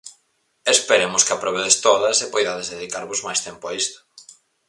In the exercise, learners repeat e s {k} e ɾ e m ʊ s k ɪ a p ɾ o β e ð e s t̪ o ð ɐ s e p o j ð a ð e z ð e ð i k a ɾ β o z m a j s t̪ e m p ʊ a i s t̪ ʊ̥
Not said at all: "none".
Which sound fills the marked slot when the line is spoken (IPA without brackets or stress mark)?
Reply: p